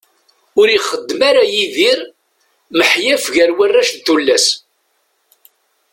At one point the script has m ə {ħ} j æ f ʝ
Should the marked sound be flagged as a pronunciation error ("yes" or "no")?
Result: no